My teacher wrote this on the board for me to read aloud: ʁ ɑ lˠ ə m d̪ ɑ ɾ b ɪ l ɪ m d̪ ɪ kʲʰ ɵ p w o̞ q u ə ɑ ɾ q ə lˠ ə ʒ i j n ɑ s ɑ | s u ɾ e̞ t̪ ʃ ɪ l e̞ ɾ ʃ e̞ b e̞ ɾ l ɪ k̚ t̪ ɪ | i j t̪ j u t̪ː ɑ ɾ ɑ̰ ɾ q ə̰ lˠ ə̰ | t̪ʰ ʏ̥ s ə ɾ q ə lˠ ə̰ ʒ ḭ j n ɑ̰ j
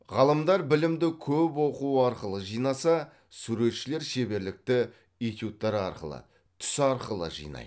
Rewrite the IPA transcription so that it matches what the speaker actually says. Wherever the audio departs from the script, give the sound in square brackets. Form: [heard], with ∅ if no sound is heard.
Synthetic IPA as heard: ʁ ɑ lˠ ə m d̪ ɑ ɾ b ɪ l ɪ m d̪ ɪ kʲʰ ɵ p w o̞ q u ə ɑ ɾ q ə lˠ ə ʒ i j n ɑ s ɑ | s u ɾ e̞ t̪ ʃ ɪ l e̞ ɾ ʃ e̞ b e̞ ɾ l ɪ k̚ t̪ ɪ | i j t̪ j u t̪ː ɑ ɾ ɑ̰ ɾ q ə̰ lˠ ə̰ | t̪ʰ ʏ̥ s [ɑ] ɾ q ə lˠ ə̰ ʒ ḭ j n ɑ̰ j